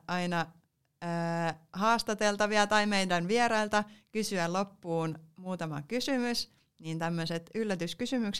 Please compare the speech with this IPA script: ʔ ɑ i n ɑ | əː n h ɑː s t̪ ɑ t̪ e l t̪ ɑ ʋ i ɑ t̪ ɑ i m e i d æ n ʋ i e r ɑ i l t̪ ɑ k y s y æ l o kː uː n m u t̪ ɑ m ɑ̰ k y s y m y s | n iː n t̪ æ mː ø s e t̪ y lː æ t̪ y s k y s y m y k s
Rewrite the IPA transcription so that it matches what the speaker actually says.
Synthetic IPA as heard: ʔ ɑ i n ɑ | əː h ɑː s t̪ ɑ t̪ e l t̪ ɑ ʋ i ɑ t̪ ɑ i m e i d æ n ʋ i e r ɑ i l t̪ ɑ k y s y æ l o pː uː n m uː t̪ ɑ m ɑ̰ k y s y m y s | n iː n t̪ æ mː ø s e t̪ y lː æ t̪ y s k y s y m y k s